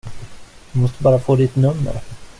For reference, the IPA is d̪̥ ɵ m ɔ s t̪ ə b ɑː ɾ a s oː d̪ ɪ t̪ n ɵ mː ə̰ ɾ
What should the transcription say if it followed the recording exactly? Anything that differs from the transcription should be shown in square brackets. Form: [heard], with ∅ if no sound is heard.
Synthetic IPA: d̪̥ ɵ m ɔ s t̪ ə b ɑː ɾ a [f] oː d̪ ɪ t̪ n ɵ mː ə̰ ɾ